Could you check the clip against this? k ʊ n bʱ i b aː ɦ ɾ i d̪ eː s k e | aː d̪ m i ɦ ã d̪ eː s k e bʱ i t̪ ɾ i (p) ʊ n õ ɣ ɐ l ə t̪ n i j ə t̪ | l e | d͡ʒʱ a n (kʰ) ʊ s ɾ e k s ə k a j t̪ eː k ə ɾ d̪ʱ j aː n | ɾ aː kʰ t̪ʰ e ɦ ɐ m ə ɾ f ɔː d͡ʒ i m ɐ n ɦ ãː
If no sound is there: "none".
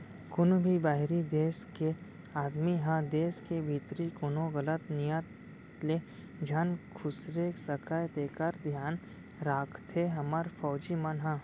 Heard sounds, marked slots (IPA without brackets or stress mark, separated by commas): k, kʰ